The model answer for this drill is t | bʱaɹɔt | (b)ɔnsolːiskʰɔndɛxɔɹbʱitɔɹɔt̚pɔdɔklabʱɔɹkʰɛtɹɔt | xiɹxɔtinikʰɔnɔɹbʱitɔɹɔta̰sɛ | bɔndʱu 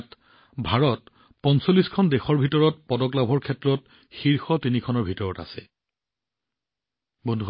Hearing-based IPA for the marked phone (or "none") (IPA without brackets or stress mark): p